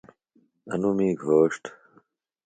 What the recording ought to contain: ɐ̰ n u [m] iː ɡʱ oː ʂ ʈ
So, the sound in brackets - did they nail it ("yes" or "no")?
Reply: yes